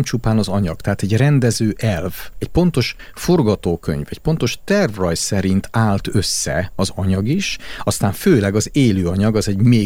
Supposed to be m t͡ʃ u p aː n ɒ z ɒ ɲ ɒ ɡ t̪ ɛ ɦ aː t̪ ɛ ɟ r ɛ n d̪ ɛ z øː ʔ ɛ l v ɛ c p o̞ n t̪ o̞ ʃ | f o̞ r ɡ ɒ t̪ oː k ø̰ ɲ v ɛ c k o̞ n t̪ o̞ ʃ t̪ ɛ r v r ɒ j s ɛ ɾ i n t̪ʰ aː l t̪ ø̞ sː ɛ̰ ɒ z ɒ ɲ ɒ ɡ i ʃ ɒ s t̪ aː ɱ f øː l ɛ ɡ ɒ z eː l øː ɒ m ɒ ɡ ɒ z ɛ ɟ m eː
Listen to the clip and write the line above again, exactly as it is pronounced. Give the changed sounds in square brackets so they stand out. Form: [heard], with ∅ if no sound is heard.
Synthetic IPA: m t͡ʃ u p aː n ɒ z ɒ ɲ ɒ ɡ t̪ ɛ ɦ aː t̪ ɛ ɟ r ɛ n d̪ ɛ z øː ʔ ɛ l v ɛ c p o̞ n t̪ o̞ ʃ | f o̞ r ɡ ɒ t̪ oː k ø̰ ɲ v ɛ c [p] o̞ n t̪ o̞ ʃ t̪ ɛ r v r ɒ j s ɛ ɾ i n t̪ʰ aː l t̪ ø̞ sː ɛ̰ ɒ z ɒ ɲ ɒ ɡ i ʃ ɒ s t̪ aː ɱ f øː l ɛ ɡ ɒ z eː l øː ɒ [ɲ] ɒ ɡ ɒ z ɛ ɟ m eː